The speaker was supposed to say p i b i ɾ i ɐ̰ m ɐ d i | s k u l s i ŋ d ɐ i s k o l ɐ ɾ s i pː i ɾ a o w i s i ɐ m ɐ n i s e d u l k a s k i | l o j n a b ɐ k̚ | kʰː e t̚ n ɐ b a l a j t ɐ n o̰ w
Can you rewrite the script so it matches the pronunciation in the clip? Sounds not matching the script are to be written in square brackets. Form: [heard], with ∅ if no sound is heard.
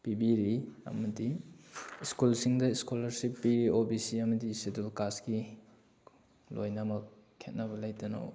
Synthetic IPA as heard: p i b i ɾ i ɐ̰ m ɐ d i | s k u l s i ŋ d ɐ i s k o l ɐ ɾ s i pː i ɾ [i] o [b] i s i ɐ m ɐ [d] i s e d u l k a s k i | l o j n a [m] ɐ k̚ | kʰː e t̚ n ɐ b [ɐ] l a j t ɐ n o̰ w